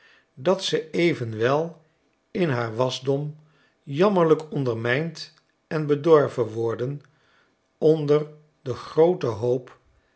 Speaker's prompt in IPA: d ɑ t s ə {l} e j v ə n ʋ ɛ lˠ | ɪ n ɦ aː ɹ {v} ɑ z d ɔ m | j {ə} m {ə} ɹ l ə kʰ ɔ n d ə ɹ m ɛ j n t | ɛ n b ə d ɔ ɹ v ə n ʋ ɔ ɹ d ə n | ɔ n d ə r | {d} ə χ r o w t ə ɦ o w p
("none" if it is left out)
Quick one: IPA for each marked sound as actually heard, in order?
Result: none, ʋ, ɑ, ə, d

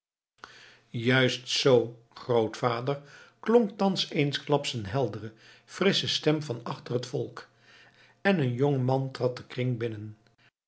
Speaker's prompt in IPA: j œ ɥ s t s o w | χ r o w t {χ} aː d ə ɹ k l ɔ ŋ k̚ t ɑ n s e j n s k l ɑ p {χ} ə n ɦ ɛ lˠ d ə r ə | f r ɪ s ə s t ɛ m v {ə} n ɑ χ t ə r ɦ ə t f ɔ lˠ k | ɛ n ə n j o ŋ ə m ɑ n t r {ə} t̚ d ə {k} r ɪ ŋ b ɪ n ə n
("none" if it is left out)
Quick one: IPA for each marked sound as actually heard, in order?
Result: f, s, ɑ, ɑ, k

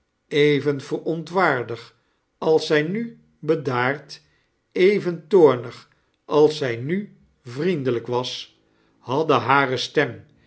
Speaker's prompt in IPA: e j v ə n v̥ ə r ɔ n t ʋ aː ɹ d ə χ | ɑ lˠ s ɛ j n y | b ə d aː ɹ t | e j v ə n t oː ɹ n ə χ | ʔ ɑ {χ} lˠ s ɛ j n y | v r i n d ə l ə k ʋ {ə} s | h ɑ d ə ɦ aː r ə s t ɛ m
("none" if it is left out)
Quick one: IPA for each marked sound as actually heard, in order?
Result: none, ɑ

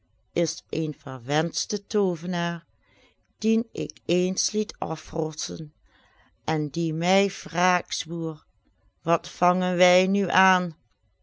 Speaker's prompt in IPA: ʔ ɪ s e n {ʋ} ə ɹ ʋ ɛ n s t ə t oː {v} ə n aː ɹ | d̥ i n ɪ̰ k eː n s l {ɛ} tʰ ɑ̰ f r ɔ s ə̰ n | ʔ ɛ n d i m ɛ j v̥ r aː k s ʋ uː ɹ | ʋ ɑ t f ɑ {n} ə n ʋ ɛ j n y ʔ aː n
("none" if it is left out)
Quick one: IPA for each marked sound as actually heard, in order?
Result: v, v, i, ŋ

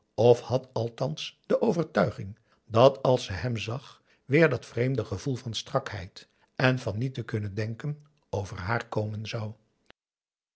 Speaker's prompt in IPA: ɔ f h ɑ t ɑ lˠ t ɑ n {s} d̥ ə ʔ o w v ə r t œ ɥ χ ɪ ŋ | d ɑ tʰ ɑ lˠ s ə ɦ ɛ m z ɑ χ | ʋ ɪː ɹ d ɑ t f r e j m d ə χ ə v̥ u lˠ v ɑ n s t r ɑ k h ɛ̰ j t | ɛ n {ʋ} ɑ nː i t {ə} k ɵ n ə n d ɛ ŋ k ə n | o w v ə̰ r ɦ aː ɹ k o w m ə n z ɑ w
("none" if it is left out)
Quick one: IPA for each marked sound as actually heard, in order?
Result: s, v, ə

